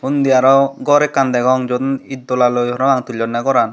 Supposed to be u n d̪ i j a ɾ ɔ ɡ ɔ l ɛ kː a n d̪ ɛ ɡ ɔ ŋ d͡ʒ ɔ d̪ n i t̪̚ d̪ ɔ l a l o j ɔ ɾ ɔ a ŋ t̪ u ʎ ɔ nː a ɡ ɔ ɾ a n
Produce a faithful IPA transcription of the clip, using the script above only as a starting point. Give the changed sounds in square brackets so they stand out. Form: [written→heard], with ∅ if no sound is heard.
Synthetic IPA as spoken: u n d̪ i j a ɾ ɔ ɡ ɔ [l→ɾ] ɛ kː a n d̪ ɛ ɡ ɔ ŋ d͡ʒ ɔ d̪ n i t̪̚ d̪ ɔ l a l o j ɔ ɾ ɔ a ŋ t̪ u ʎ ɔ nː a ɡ ɔ ɾ a n